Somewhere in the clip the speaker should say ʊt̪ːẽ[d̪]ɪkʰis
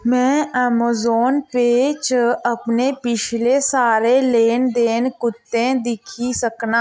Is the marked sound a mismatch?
no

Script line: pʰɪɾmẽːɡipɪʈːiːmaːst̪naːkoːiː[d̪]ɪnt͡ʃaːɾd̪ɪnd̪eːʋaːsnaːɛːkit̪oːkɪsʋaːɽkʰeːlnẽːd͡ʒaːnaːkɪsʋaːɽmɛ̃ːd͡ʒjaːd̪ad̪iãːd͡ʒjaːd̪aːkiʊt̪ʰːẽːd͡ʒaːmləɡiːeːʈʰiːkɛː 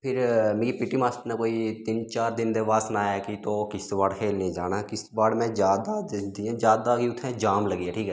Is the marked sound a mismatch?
yes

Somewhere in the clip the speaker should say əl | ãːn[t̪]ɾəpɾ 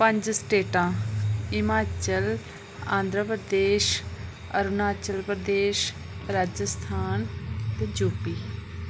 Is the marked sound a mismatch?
yes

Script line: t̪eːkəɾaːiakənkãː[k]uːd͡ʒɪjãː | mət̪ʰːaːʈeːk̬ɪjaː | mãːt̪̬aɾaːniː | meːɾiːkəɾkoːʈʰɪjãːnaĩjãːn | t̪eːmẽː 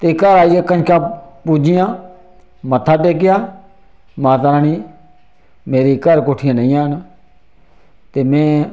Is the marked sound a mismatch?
yes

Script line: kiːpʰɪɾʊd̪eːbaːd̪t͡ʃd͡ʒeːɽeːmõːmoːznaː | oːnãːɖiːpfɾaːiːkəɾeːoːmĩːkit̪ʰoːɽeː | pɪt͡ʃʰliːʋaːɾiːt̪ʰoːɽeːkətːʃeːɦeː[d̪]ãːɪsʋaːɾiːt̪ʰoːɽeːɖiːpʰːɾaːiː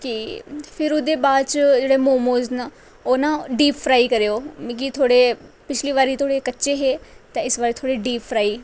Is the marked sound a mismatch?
yes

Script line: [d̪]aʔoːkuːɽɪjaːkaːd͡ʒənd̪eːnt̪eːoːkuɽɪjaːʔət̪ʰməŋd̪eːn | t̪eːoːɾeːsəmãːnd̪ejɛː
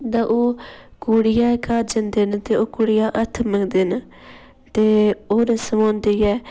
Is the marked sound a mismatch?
no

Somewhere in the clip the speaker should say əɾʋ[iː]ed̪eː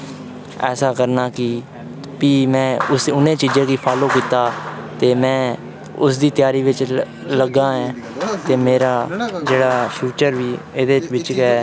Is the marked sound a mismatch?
no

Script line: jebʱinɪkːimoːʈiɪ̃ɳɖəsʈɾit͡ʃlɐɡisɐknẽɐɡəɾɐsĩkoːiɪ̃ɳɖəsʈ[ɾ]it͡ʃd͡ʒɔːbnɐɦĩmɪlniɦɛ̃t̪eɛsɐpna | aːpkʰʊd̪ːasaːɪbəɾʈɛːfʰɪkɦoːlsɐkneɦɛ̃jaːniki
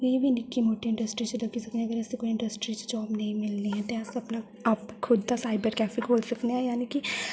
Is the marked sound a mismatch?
no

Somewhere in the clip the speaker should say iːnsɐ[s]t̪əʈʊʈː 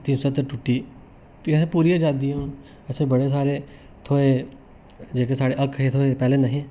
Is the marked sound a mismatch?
yes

